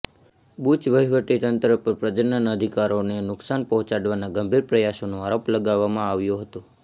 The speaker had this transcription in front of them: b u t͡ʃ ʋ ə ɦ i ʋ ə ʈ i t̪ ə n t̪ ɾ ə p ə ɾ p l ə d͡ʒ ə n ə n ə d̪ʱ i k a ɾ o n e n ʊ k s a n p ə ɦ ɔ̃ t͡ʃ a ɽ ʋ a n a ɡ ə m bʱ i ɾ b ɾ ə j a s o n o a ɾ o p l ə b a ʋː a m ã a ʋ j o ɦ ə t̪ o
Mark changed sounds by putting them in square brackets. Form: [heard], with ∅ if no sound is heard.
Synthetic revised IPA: b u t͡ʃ ʋ ə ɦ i ʋ ə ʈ i t̪ ə n t̪ ɾ ə p ə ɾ p [ɾ] ə d͡ʒ ə n ə n ə d̪ʱ i k a ɾ o n e n ʊ k s a n p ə ɦ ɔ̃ t͡ʃ a ɽ ʋ a n a ɡ ə m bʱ i ɾ [p] ɾ ə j a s o n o a ɾ o p l ə [ɡ] a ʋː a m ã a ʋ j o ɦ ə t̪ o

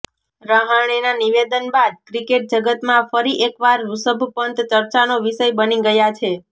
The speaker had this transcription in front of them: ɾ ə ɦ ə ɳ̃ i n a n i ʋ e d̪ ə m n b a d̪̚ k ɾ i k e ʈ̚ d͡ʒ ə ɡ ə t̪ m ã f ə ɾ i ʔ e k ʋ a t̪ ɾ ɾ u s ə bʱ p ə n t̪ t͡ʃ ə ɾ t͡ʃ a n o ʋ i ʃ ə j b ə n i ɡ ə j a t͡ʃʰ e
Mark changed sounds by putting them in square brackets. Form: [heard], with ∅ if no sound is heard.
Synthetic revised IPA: ɾ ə ɦ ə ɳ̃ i n a n i ʋ e d̪ ə [∅] n b a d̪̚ k ɾ i k e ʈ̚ d͡ʒ ə ɡ ə t̪ m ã f ə ɾ i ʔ e k ʋ a [∅] ɾ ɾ u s ə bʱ p ə n t̪ t͡ʃ ə ɾ t͡ʃ a n o ʋ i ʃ ə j b ə n i ɡ ə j a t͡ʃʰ e

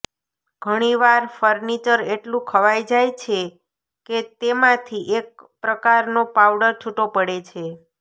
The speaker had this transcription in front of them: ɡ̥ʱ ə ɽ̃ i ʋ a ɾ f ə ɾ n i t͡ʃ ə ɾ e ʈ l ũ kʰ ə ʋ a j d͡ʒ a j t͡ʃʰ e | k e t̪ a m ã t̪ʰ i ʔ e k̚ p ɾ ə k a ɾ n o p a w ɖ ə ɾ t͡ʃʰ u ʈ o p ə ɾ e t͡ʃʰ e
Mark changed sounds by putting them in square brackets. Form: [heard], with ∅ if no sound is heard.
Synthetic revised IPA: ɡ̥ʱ ə ɽ̃ i ʋ a ɾ f ə ɾ n i t͡ʃ ə ɾ e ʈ l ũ kʰ ə ʋ a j d͡ʒ a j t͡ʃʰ e | k e t̪ [e] m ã t̪ʰ i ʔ e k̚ p ɾ ə k a ɾ n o p a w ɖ ə ɾ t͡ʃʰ u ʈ o p ə [ɽ] e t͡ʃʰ e

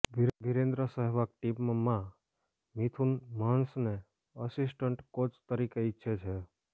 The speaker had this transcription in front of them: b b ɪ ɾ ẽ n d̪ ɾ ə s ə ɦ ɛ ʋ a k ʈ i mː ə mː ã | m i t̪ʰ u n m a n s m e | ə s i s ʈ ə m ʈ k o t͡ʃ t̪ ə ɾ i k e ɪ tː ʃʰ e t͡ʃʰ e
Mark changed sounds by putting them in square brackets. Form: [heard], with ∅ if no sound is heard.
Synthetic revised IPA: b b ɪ ɾ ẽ n d̪ ɾ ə s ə ɦ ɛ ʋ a k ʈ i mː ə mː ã | m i t̪ʰ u n m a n s [n] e | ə s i s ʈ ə [ɳ] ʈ k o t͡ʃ t̪ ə ɾ i k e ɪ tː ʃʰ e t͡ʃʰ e

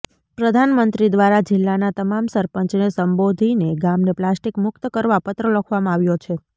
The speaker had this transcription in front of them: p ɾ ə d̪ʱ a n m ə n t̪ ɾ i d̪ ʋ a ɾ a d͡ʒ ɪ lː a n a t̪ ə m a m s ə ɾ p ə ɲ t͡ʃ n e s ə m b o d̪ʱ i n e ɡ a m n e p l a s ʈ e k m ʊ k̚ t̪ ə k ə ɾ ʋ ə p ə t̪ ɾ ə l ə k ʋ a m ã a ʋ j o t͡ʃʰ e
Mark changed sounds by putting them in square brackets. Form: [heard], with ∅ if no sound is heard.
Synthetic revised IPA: p ɾ ə d̪ʱ a n m ə n t̪ ɾ i d̪ ʋ a ɾ a d͡ʒ ɪ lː a n a t̪ ə m a m s ə ɾ p ə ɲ t͡ʃ n e s ə m b o d̪ʱ i n e ɡ a m n e p l a s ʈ [i] k m ʊ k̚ t̪ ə k ə ɾ ʋ [a] p ə t̪ ɾ ə l ə [kʰ] ʋ a m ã a ʋ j o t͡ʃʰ e

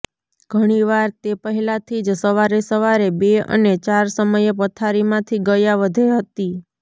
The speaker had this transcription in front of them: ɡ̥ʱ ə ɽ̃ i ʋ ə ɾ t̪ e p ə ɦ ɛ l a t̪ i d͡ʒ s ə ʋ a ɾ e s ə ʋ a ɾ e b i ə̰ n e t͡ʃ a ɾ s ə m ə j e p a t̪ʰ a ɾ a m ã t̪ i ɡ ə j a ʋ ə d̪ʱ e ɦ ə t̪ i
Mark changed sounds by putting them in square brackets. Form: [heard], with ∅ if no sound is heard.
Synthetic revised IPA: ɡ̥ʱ ə ɽ̃ i ʋ [a] ɾ t̪ e p ə ɦ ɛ l a [t̪ʰ] i d͡ʒ s ə ʋ a ɾ e s ə ʋ a ɾ e b [e] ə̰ n e t͡ʃ a ɾ s ə m ə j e p [ə] t̪ʰ a ɾ [i] m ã [t̪ʰ] i ɡ ə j a ʋ ə d̪ʱ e ɦ ə t̪ i

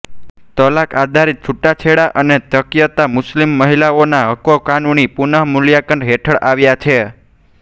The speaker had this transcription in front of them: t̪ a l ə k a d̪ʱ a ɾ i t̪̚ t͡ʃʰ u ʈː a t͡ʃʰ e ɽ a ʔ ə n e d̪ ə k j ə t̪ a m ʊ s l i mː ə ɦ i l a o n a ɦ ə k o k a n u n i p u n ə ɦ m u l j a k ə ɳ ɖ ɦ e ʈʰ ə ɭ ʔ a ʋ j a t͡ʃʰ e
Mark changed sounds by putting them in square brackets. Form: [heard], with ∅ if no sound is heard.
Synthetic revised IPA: t̪ [ə] l [a] k a d̪ʱ a ɾ i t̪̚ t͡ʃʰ u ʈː a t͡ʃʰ e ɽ a ʔ ə n e [t̪] ə k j ə t̪ a m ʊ s l i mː ə ɦ i l a o n a ɦ ə k o k a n u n i p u n ə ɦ m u l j a k ə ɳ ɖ ɦ e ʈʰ ə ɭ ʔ a ʋ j a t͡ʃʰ e

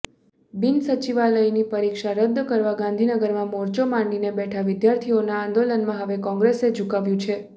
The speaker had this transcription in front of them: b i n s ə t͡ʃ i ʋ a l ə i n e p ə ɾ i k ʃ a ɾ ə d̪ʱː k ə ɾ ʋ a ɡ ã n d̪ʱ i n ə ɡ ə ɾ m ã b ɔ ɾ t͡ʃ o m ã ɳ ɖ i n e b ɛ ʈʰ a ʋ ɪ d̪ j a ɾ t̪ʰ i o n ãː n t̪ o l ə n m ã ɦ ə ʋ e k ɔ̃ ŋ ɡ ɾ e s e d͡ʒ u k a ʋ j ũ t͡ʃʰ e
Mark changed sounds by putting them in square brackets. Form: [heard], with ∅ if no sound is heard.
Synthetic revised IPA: b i n s ə t͡ʃ i ʋ a l ə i n [i] p ə ɾ i k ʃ a ɾ ə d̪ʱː k ə ɾ ʋ a ɡ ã n d̪ʱ i n ə ɡ ə ɾ m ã [m] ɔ ɾ t͡ʃ o m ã ɳ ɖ i n e b ɛ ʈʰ a ʋ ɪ d̪ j a ɾ t̪ʰ i o n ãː n [d̪] o l ə n m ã ɦ ə ʋ e k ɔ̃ ŋ ɡ ɾ e s e d͡ʒ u k a ʋ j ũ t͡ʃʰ e

